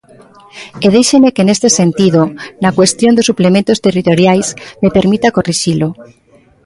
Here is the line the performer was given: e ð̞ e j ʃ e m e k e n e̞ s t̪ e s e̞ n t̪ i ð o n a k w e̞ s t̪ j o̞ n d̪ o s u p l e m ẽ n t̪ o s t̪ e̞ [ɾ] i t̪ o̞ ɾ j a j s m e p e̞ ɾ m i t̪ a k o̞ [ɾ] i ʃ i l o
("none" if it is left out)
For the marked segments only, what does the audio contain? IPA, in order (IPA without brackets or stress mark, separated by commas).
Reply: r, r